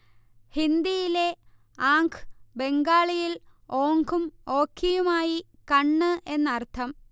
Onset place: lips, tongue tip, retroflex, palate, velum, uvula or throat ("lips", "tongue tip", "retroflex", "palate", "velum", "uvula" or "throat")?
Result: throat